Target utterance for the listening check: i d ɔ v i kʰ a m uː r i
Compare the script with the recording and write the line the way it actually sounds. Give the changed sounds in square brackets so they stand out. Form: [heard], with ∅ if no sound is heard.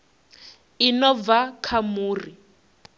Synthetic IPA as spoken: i [n] ɔ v [a] kʰ a m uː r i